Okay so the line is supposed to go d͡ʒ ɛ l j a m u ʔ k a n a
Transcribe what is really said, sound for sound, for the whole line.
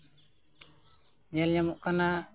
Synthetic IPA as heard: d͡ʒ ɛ l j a m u ʔ k a n a